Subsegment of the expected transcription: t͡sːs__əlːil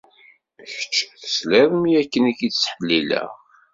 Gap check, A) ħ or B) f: A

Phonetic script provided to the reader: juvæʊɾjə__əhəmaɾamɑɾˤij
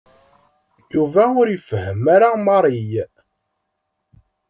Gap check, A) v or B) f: B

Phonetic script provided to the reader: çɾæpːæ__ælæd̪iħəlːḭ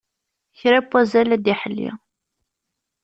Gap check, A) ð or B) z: B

